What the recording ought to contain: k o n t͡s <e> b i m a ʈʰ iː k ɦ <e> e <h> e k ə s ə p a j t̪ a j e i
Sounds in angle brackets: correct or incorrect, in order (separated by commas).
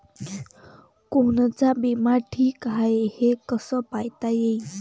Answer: incorrect, incorrect, correct